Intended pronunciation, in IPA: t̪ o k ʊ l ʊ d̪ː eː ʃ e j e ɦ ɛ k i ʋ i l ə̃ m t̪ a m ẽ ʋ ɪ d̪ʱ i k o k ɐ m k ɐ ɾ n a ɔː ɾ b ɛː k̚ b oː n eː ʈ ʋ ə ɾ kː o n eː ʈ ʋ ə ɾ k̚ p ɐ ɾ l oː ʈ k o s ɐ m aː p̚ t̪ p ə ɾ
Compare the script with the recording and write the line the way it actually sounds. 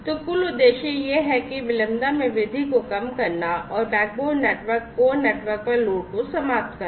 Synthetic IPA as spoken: t̪ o k ʊ l ʊ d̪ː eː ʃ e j e ɦ ɛ k i ʋ ɪ l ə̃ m d̪ a m ẽ ʋ ɪ d̪ʱ i k o k ɐ m k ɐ ɾ n a ɔː ɾ b ɛː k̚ b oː n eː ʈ ʋ ə ɾ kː o n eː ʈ ʋ ə ɾ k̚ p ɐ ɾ l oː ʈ k o s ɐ m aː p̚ t̪ k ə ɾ